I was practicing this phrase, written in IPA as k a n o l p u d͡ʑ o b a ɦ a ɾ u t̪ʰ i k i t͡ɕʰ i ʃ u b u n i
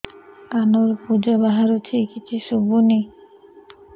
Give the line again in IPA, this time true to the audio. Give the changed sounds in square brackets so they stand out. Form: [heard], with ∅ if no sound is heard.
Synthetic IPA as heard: k a n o [ɾ] p u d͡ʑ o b a ɦ a ɾ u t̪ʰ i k i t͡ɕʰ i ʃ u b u n i